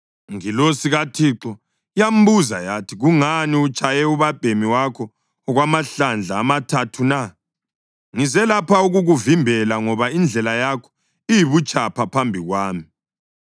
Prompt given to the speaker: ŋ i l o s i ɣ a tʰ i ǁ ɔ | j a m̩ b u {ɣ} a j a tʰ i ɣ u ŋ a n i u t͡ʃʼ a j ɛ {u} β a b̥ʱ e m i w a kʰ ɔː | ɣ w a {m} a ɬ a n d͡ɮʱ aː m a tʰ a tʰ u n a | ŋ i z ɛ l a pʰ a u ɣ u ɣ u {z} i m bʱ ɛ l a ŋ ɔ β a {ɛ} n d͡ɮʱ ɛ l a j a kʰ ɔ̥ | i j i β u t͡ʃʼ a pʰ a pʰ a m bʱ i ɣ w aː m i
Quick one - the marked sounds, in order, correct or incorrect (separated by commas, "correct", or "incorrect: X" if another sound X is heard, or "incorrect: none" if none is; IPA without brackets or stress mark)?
incorrect: z, correct, correct, incorrect: v, incorrect: i